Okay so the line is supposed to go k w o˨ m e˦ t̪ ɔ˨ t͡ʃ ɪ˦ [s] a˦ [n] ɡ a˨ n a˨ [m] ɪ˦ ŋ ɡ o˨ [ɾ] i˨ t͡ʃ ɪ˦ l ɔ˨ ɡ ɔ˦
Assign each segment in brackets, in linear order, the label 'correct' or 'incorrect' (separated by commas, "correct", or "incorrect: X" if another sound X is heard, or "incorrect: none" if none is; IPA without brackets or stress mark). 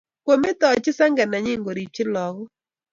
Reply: correct, incorrect: ŋ, incorrect: ɲ, correct